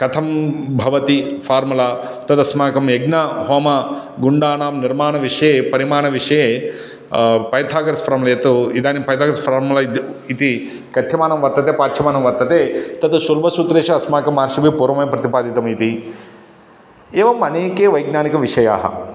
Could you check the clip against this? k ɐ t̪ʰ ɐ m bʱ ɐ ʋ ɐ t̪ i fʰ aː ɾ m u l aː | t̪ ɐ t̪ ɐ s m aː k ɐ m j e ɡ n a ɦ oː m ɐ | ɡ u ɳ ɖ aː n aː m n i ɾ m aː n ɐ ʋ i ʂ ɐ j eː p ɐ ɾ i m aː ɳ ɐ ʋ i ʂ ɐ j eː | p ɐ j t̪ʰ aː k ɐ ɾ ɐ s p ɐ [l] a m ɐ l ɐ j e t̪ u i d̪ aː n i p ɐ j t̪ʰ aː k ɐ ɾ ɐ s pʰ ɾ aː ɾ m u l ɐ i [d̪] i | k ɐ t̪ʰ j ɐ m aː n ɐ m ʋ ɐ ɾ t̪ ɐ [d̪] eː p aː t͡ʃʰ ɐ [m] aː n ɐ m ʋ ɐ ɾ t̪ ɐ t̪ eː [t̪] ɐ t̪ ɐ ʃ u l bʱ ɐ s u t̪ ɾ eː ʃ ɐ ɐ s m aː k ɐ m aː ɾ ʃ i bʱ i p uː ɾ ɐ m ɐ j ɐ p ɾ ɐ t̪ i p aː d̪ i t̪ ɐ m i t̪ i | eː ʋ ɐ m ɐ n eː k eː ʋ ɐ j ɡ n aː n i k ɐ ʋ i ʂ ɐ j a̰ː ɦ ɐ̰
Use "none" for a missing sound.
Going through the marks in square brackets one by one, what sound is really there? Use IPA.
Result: ɾ, t̪, t̪, m, t̪

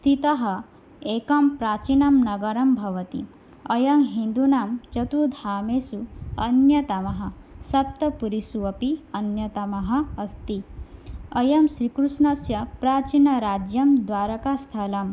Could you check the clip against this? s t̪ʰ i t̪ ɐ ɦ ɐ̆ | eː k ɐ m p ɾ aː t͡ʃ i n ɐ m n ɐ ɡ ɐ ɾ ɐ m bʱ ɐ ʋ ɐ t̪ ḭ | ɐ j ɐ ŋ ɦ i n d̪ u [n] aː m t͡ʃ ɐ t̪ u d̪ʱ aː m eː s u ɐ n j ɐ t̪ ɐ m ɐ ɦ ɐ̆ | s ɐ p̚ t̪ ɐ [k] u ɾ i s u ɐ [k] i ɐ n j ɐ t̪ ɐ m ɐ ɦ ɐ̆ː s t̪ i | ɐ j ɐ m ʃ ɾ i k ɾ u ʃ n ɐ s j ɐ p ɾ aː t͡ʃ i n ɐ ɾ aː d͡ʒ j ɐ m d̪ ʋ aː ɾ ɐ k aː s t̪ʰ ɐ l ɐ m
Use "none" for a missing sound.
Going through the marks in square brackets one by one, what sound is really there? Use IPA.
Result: n, p, p

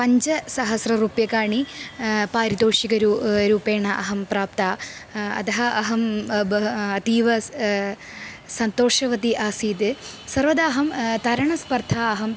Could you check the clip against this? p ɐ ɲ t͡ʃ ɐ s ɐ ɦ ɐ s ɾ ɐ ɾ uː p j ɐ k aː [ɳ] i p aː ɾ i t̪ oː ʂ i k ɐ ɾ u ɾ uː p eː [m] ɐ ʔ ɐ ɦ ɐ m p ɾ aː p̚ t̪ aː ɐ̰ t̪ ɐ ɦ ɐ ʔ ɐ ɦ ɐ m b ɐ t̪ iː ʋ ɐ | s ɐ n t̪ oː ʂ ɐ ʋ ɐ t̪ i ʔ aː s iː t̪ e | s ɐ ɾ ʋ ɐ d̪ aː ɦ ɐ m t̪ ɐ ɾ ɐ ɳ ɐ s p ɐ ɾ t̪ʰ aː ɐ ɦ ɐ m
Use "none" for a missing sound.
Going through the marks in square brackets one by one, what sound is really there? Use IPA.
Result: ɳ, ɳ

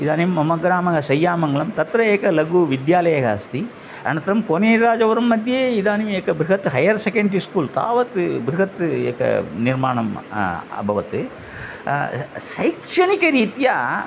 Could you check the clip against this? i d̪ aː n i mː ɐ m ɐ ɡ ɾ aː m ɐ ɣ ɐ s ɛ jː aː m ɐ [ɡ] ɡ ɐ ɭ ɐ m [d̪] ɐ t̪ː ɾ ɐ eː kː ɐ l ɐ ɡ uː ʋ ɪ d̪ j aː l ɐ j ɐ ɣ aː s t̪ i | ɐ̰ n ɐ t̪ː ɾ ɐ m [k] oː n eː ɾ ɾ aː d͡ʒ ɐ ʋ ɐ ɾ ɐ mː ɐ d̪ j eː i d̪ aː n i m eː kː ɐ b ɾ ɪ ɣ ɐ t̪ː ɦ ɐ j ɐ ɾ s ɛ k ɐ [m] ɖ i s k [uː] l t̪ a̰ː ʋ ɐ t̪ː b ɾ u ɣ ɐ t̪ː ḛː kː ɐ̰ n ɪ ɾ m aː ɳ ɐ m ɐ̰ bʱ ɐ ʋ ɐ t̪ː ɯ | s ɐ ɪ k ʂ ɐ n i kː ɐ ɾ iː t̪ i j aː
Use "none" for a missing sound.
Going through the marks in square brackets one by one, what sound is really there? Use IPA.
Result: ŋ, t̪, k, ɳ, uː

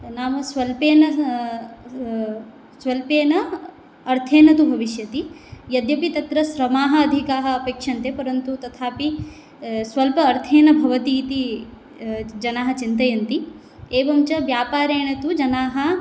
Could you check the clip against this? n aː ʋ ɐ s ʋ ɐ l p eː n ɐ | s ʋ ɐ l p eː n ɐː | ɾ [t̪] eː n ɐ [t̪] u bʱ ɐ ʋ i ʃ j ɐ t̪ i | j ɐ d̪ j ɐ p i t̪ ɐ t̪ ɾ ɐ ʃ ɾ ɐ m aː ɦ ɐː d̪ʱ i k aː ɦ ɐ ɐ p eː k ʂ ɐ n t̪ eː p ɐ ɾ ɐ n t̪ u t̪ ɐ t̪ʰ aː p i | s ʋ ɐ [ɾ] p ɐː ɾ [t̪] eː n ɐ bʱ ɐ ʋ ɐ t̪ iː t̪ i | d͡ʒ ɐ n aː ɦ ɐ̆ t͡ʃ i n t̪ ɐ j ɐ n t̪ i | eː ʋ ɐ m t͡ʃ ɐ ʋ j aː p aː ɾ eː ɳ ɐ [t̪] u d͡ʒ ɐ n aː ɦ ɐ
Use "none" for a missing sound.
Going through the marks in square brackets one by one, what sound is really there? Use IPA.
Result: t̪ʰ, t̪, l, t̪ʰ, t̪

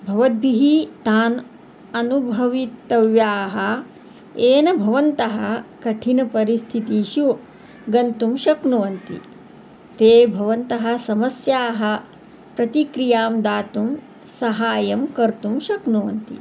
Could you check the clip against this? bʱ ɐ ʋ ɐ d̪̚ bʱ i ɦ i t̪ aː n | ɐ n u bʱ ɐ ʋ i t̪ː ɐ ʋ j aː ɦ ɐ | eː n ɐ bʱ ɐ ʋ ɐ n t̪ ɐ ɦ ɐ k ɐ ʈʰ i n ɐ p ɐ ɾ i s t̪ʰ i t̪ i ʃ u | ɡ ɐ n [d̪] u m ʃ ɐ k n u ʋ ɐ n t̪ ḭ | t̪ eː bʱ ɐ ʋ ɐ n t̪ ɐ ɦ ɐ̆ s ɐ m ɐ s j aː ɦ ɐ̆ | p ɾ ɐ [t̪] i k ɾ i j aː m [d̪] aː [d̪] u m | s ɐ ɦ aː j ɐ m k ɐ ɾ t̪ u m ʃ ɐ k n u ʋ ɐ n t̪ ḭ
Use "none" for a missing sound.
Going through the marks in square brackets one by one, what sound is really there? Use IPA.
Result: t̪, t̪, d̪, t̪

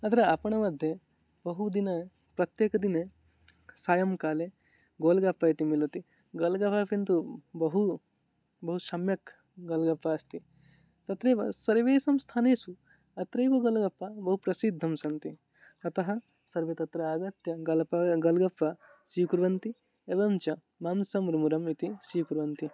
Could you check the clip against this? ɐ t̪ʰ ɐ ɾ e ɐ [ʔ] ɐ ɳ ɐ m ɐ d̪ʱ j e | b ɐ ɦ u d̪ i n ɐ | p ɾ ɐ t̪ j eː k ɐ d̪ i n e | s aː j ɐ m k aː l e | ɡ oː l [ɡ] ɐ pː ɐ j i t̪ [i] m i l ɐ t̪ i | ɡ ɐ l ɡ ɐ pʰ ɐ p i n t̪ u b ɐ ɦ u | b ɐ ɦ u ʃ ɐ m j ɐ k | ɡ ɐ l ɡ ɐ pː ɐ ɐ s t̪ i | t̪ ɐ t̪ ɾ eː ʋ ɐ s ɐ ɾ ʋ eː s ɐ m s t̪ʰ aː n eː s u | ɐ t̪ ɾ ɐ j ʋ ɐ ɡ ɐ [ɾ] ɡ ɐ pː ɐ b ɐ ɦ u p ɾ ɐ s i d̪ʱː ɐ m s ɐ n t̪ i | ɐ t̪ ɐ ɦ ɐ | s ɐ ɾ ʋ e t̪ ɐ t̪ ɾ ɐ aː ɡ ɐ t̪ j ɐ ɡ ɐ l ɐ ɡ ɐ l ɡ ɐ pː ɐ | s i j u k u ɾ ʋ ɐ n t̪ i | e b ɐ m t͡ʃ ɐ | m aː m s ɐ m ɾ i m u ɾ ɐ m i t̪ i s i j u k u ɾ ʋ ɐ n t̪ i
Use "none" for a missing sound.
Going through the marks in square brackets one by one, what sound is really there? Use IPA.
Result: p, ɡ, i, l

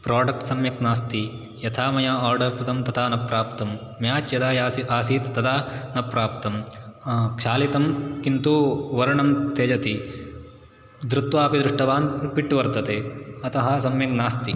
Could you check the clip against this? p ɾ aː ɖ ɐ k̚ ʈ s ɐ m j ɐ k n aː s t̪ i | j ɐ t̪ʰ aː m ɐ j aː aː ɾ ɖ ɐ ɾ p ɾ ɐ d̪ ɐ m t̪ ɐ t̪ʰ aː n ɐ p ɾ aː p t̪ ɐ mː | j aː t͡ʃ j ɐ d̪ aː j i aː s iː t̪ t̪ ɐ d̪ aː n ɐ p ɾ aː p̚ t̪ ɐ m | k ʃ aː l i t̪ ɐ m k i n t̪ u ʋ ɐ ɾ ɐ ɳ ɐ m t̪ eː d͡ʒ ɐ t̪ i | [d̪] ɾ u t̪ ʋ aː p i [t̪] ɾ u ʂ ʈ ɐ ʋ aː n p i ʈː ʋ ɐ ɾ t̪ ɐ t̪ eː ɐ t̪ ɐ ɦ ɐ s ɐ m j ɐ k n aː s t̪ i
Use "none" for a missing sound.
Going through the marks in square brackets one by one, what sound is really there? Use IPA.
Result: d̪, d̪

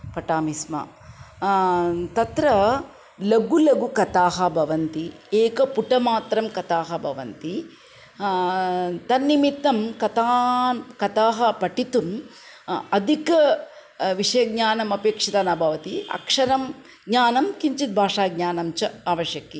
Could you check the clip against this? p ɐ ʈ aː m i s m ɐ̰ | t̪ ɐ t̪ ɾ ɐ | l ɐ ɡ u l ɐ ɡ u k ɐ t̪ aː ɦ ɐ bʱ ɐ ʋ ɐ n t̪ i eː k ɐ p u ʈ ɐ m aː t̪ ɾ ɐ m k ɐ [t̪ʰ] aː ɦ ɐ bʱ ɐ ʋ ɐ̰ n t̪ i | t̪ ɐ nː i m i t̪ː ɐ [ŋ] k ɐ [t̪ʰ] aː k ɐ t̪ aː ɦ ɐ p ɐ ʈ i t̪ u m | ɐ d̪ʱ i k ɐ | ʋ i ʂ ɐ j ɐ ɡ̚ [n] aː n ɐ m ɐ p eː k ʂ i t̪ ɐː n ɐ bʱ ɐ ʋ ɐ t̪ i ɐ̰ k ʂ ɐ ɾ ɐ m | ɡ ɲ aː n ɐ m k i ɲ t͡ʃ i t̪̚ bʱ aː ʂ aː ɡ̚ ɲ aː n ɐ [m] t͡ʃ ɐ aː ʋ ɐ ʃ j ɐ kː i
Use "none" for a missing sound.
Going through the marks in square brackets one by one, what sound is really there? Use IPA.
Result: t̪, m, t̪, ɲ, m

